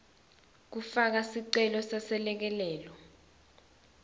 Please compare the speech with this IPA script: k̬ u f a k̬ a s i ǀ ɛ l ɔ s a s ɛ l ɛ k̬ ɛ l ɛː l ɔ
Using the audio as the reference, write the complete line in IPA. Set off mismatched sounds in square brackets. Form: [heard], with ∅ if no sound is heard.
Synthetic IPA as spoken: k̬ u f a k̬ a s i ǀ ɛ l ɔ s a s ɛ l ɛ k̬ ɛ l ɛː l ɔ